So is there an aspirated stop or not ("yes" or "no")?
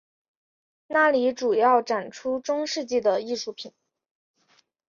yes